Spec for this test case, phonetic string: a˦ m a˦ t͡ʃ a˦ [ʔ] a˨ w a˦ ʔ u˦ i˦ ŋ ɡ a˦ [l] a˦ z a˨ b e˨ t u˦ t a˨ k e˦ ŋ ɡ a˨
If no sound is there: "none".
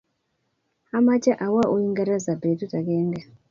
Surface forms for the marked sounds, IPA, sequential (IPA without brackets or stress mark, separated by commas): ʔ, ɾ